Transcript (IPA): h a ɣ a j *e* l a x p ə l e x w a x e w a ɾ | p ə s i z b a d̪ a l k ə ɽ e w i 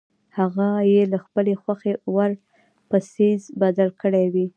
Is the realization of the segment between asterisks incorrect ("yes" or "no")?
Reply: no